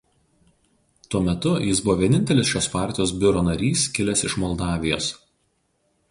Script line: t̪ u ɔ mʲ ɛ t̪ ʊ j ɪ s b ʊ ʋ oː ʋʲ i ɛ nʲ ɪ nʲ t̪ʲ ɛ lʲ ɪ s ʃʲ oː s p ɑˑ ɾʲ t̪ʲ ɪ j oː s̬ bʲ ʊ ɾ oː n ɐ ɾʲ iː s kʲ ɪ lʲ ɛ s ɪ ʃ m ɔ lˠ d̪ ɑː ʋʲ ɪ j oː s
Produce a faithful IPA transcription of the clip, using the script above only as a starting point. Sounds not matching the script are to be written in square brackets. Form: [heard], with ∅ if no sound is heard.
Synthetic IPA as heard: t̪ u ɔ mʲ ɛ t̪ ʊ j ɪ s b ʊ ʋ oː ʋʲ i ɛ nʲ ɪ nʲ t̪ʲ ɛ lʲ ɪ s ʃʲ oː s p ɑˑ ɾʲ t̪ʲ ɪ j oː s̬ bʲ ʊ ɾ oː n ɐ ɾʲ iː s kʲ ɪ lʲ ɛ s ɪ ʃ m ɔ lˠ d̪ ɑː ʋʲ ɪ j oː s